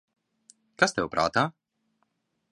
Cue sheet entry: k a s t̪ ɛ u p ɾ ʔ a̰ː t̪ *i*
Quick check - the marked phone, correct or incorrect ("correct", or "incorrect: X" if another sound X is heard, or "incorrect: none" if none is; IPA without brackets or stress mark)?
incorrect: a